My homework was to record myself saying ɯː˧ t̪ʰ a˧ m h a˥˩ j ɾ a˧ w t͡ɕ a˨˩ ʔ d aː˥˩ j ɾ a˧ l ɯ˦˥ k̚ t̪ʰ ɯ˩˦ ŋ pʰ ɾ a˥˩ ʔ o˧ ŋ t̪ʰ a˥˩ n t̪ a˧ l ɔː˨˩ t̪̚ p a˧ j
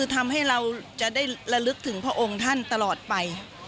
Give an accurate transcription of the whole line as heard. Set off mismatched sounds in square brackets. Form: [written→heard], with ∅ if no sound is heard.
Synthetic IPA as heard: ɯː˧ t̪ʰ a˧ m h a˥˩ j ɾ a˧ w t͡ɕ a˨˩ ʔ d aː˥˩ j ɾ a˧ l ɯ˦˥ k̚ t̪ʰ ɯ˩˦ ŋ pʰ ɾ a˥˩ ʔ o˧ ŋ t̪ʰ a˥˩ n t̪ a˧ l ɔː˨˩ t̪̚ p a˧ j